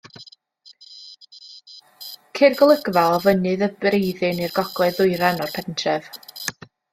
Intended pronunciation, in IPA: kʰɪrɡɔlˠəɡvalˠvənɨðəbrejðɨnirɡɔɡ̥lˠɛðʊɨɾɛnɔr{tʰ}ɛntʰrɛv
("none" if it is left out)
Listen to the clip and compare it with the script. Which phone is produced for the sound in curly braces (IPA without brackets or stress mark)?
pʰ